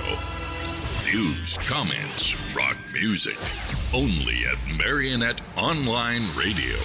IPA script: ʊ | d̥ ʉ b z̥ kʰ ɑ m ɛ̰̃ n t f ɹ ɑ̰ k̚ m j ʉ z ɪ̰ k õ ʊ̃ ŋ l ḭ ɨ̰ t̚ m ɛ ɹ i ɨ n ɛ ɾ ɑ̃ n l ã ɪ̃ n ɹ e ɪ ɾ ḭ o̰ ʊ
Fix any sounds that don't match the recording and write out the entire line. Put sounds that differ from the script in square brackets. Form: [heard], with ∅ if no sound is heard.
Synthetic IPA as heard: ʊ | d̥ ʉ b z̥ kʰ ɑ m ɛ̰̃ n t [s] ɹ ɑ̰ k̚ m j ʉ z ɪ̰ k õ ʊ̃ [n] l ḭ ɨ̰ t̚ m ɛ ɹ i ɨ n ɛ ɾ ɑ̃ n l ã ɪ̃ n ɹ e ɪ ɾ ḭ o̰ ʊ